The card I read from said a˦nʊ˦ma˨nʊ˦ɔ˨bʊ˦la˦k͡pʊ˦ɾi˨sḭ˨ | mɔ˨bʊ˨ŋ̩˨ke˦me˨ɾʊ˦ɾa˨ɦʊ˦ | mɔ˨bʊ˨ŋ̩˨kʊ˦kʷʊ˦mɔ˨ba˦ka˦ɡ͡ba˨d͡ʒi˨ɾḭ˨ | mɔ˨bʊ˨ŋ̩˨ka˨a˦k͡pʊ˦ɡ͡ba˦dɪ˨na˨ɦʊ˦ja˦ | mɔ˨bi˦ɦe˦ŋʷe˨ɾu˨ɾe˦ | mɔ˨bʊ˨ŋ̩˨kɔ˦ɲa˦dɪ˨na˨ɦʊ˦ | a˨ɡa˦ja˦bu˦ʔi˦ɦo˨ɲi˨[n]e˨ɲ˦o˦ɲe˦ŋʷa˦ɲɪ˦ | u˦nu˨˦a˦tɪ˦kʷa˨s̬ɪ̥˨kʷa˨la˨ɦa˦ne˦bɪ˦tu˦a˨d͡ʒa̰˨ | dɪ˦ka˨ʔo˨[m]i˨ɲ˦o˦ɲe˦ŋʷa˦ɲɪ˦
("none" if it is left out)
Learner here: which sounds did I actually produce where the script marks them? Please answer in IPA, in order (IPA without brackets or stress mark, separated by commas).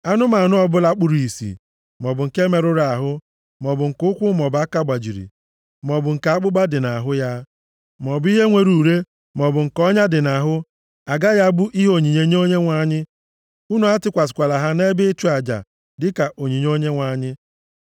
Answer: ɲ, ɲ